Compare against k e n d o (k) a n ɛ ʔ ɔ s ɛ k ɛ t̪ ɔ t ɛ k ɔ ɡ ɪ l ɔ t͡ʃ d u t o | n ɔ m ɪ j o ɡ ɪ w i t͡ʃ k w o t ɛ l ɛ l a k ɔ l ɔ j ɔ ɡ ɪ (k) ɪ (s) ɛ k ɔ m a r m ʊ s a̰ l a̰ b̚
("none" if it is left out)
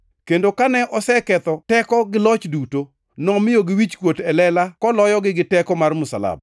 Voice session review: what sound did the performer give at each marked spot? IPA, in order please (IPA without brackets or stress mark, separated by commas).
k, ɡ, t